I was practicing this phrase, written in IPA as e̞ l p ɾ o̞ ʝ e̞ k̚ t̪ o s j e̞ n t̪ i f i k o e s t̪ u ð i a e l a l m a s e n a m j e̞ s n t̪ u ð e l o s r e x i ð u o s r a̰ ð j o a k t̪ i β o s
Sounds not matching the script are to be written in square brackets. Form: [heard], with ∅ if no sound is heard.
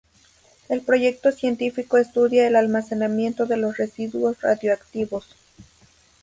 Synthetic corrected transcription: e̞ l p ɾ o̞ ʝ e̞ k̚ t̪ o s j e̞ n t̪ i f i k o e s t̪ u ð [j] a e l a l m a s e n a m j e̞ [∅] n t̪ [o] ð e l o s r e [s] i ð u o s r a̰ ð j o a k t̪ i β o s